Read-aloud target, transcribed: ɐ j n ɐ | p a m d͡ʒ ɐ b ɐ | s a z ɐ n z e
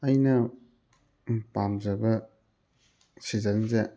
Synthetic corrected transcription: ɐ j n ɐ | p a m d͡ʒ ɐ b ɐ | s i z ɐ n z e